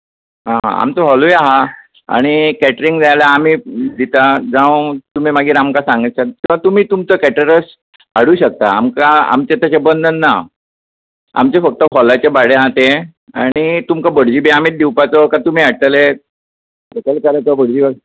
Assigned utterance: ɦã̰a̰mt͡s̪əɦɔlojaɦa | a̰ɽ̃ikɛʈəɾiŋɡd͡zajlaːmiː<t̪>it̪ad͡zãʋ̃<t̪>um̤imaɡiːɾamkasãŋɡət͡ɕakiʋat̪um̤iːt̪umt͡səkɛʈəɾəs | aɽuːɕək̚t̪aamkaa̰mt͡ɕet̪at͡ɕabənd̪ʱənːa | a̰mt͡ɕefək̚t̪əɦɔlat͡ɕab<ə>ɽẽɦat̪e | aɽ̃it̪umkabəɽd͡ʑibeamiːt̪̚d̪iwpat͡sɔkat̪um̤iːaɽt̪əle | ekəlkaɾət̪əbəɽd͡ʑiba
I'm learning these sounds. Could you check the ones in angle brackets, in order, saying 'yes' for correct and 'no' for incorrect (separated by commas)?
no, yes, no